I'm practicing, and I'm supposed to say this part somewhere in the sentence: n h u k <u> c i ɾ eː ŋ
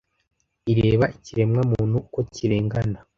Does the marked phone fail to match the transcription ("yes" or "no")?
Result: yes